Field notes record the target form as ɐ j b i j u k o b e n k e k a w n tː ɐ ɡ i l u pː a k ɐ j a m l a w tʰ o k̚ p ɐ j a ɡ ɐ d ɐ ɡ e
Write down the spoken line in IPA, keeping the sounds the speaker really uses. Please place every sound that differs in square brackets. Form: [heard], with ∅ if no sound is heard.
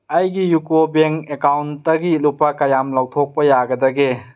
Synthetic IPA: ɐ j [ɡ] i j u k o b e [ŋ] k e k a w n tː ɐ ɡ i l u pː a k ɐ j a m l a w tʰ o k̚ p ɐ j a ɡ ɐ d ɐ ɡ e